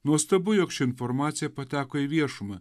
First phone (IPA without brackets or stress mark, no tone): n